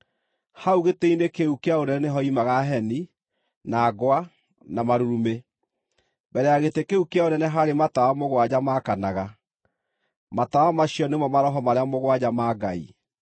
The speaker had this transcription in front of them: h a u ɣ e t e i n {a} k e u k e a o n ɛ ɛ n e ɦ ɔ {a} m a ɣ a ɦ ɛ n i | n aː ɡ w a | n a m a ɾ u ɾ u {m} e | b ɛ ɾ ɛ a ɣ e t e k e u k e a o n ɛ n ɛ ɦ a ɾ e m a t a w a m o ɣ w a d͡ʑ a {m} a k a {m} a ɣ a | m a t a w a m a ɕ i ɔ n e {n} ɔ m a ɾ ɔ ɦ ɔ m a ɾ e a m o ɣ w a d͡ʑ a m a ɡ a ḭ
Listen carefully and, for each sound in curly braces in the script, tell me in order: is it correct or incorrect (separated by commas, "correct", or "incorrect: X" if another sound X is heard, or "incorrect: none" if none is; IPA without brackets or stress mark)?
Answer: incorrect: e, incorrect: i, correct, correct, incorrect: n, incorrect: m